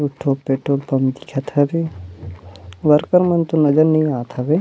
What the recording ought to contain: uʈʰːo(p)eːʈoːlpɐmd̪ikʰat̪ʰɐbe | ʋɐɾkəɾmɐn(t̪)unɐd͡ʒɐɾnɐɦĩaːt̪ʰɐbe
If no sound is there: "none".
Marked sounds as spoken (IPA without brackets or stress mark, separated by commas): p, t̪